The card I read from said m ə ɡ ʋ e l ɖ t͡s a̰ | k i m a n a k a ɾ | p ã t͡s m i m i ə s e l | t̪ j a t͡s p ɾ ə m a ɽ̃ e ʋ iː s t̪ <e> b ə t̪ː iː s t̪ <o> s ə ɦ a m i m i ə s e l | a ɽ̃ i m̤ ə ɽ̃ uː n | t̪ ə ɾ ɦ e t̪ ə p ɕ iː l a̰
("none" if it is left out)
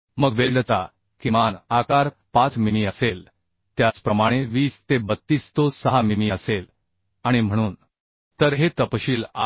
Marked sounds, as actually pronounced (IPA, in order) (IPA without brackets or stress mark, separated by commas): e, o